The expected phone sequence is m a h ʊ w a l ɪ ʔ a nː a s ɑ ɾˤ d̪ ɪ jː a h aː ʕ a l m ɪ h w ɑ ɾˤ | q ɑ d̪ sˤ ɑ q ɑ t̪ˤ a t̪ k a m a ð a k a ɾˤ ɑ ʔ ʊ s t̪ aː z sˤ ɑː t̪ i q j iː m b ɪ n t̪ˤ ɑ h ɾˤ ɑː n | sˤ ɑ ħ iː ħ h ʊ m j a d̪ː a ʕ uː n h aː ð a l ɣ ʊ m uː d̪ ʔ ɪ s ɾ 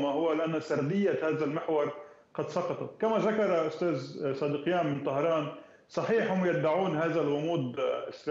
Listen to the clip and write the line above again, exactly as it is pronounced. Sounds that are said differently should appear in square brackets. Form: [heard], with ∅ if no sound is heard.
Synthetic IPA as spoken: m a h ʊ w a l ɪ ʔ a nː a s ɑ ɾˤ d̪ ɪ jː a h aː [ð] a l m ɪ [ħ] w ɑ ɾˤ | q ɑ d̪ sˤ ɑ q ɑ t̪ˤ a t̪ k a m a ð a k [ɑ] ɾˤ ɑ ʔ ʊ s t̪ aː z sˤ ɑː [d̪] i q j [aː] m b ɪ n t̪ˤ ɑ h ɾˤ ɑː n | sˤ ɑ ħ iː ħ h ʊ m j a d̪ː a ʕ uː n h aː ð a l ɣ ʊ m uː d̪ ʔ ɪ s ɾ